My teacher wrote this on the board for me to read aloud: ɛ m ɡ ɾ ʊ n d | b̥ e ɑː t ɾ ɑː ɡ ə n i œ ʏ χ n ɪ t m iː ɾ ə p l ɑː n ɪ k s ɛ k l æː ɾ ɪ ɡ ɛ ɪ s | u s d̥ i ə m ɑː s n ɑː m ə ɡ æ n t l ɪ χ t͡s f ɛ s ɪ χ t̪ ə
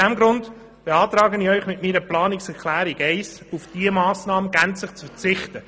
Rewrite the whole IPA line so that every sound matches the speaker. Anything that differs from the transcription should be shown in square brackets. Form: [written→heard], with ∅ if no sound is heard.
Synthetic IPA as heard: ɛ m ɡ ɾ ʊ n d | b̥ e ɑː t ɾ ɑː ɡ ə n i œ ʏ χ [n→m] ɪ t m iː ɾ ə p l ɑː n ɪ k s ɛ k l æː ɾ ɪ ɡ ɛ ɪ s | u [s→f] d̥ i ə m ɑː s n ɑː m ə ɡ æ n [t→t͡s] l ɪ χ t͡s f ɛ [s→t͡s] ɪ χ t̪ ə